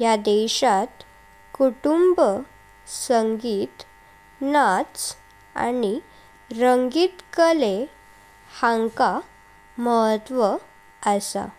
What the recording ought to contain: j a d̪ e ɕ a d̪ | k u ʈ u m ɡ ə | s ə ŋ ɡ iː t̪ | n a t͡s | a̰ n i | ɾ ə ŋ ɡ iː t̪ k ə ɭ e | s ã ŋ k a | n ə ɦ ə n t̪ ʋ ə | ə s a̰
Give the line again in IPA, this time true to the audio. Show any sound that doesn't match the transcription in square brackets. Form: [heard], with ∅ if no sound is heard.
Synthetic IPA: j a d̪ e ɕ a [t̪] | k u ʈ u m [b] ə | s ə ŋ ɡ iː t̪ | n a t͡s | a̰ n i | ɾ ə ŋ ɡ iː t̪ k ə [l] e | [h] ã ŋ k a | [m] ə ɦ ə [∅] t̪ ʋ ə | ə s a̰